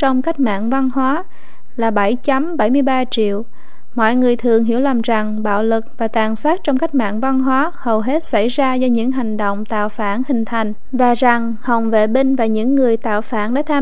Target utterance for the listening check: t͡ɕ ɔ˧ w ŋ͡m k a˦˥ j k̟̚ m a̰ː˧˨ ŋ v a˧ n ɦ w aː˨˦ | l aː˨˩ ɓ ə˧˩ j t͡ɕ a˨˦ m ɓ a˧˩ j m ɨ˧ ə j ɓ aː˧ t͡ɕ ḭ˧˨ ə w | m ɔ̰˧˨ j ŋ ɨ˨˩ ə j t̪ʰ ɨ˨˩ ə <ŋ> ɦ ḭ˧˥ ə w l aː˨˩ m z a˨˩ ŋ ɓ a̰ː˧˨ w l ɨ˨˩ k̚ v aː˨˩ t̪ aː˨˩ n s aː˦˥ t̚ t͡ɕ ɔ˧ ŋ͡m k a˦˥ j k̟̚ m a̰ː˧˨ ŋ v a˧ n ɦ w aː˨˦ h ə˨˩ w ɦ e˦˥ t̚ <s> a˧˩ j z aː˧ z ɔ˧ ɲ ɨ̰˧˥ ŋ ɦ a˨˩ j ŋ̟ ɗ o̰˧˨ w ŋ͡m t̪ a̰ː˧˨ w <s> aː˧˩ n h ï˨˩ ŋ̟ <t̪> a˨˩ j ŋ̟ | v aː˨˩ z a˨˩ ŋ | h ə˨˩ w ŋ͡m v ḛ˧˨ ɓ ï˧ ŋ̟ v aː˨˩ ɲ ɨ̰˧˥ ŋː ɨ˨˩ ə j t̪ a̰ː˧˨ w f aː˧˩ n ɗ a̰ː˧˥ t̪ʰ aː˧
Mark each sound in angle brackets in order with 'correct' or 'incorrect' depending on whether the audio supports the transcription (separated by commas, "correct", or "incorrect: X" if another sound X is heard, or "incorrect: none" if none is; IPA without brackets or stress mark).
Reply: correct, correct, incorrect: f, incorrect: t̪ʰ